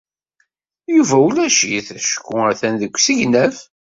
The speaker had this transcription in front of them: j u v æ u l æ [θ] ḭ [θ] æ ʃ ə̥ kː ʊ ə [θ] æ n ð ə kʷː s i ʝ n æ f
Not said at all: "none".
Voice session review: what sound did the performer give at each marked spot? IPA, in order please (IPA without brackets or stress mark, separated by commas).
ʃ, θ, θ